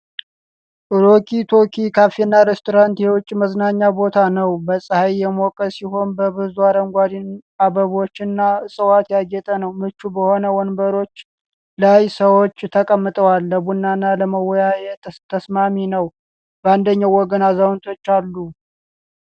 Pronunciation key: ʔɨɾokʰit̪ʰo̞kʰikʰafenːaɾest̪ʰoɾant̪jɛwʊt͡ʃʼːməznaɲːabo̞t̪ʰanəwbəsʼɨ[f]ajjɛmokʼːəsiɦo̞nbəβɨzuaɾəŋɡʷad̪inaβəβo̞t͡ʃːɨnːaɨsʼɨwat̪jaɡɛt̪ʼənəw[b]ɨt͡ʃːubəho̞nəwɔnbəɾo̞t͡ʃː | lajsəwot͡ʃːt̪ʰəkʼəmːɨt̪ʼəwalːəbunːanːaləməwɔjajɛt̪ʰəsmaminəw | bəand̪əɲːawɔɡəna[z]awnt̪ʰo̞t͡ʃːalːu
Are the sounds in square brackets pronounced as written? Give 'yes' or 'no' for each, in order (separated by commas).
no, no, yes